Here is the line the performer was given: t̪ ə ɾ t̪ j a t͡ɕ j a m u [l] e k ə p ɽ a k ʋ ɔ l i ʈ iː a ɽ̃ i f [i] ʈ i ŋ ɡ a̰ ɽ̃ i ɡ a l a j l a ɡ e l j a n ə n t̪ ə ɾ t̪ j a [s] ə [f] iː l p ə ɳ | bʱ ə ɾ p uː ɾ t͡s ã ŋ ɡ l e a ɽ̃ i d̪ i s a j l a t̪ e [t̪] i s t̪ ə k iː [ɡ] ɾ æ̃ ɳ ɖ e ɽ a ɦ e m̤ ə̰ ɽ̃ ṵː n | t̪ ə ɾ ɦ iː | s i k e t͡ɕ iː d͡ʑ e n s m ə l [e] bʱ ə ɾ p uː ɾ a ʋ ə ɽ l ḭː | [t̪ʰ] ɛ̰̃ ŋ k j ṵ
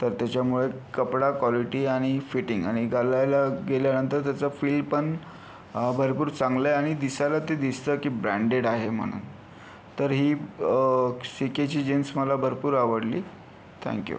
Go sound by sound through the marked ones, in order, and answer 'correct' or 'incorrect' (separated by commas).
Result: incorrect, correct, incorrect, correct, incorrect, incorrect, incorrect, correct